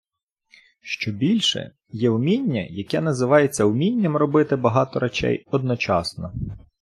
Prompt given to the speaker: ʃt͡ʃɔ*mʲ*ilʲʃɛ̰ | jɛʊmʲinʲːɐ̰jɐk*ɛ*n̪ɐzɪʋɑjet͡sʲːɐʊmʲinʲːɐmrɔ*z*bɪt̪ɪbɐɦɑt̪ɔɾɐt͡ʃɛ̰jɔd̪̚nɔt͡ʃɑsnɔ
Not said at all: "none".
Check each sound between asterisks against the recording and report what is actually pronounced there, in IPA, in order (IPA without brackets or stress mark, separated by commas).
bʲ, ɛ, none